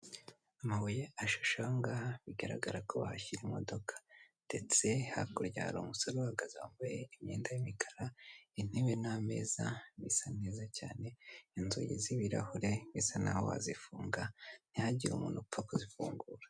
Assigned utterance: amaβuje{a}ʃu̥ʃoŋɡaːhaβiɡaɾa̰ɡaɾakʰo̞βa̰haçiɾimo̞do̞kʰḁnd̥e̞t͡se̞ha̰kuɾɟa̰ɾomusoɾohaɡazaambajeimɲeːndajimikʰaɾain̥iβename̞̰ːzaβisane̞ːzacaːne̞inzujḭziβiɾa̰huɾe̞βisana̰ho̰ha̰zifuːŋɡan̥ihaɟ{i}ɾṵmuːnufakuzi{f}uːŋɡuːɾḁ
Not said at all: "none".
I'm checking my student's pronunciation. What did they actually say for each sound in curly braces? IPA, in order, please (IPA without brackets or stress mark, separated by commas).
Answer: a, i, f